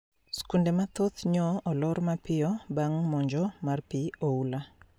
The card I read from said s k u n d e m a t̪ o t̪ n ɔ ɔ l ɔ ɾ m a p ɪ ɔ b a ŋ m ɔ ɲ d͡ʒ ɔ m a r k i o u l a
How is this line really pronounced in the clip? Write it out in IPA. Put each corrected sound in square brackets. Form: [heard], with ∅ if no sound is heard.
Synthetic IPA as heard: s k u n d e m a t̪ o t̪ [ɲ] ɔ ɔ l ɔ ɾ m a p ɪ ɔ b a ŋ m ɔ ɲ d͡ʒ ɔ m a r [p] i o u l a